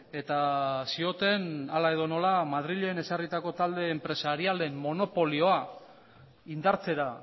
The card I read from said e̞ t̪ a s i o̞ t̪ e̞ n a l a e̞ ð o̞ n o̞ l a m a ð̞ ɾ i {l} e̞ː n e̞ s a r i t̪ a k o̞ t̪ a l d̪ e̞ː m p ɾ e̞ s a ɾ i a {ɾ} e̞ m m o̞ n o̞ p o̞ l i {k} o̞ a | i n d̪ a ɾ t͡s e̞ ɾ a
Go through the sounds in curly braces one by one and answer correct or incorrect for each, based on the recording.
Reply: incorrect: ʎ, incorrect: l, incorrect: none

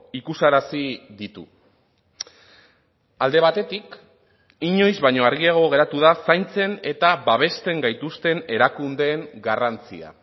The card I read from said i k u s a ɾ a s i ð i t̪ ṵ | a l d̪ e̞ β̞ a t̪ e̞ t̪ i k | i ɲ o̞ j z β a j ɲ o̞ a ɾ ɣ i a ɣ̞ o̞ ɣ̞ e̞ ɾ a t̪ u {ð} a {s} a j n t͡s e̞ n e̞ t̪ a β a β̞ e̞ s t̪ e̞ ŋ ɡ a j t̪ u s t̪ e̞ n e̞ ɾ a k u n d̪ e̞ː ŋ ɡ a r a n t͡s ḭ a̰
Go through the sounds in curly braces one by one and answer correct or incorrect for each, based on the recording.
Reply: correct, correct

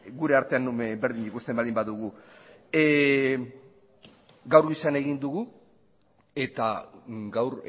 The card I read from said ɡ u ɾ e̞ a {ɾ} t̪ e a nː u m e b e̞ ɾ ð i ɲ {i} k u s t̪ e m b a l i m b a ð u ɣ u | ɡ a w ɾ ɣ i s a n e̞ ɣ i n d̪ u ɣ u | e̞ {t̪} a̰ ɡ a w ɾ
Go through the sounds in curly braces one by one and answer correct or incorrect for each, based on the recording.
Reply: correct, correct, correct

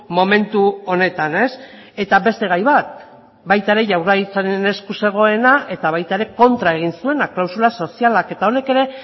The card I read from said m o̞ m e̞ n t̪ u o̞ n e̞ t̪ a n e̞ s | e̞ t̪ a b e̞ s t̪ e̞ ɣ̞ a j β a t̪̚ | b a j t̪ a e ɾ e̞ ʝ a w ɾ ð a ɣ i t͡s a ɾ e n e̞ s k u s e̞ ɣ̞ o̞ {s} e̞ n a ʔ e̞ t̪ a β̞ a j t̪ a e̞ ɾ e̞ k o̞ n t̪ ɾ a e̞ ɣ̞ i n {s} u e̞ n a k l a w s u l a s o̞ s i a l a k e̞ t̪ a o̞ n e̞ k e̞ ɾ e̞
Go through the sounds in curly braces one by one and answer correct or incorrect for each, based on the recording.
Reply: incorrect: none, correct

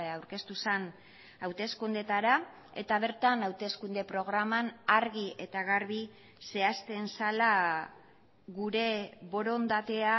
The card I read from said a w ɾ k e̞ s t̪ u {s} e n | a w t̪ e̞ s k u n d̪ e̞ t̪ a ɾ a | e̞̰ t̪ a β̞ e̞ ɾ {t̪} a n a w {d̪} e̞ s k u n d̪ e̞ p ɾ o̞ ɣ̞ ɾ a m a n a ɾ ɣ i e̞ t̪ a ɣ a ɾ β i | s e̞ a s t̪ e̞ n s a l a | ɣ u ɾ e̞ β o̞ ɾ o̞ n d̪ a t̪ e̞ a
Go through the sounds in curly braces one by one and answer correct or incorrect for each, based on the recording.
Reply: correct, correct, incorrect: t̪

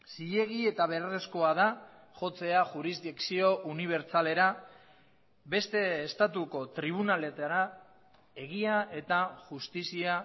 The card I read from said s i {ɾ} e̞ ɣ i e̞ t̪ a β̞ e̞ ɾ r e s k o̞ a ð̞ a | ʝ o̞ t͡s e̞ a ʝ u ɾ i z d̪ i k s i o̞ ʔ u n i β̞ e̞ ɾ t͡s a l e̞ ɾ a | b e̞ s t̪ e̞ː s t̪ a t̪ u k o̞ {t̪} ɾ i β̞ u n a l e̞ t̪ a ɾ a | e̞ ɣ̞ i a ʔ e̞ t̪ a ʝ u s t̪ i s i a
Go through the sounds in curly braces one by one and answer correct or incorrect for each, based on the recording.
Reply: incorrect: ʎ, correct

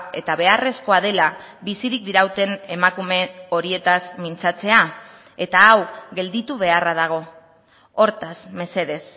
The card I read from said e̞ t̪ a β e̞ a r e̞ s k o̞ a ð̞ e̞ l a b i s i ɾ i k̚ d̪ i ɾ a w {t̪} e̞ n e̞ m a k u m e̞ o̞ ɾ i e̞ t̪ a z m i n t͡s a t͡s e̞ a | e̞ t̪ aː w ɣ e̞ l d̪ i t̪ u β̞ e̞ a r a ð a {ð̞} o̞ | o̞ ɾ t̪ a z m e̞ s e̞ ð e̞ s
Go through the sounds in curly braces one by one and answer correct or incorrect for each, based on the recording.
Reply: correct, incorrect: ɣ̞

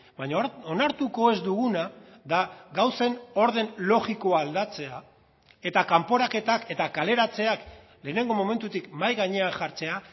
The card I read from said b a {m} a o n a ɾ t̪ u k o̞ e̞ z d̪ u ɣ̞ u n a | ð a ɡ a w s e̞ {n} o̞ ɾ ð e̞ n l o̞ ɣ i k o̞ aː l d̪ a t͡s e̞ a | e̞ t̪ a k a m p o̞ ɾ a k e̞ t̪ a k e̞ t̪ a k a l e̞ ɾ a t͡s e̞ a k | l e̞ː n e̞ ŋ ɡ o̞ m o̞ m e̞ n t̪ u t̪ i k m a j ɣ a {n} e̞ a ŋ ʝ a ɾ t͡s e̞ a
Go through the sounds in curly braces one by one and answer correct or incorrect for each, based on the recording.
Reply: incorrect: ɲ, correct, incorrect: ɲ

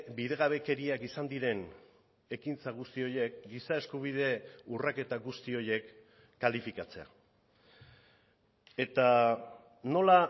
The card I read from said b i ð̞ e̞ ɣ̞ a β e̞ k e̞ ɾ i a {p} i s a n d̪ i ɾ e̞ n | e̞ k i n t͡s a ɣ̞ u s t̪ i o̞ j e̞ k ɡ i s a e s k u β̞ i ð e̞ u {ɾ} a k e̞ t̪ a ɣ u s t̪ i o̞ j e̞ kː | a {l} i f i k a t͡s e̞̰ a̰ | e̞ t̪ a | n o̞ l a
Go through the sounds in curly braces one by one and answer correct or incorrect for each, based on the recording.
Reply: incorrect: k, incorrect: r, correct

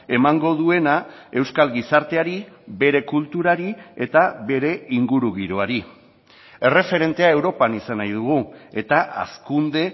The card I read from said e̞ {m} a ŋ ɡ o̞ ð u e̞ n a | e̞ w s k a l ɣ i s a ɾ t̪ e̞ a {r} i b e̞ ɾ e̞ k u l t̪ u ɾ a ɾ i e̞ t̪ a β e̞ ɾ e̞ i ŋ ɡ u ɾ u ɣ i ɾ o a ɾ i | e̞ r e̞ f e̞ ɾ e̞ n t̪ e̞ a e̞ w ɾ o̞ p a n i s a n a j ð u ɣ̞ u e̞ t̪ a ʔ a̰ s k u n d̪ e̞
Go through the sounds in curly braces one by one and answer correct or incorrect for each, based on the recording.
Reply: correct, incorrect: ɾ

